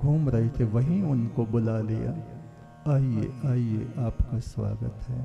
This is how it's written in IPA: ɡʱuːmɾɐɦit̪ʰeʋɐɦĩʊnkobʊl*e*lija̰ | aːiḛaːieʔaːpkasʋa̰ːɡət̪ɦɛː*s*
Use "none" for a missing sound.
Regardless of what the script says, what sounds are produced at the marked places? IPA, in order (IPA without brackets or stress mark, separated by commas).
a, none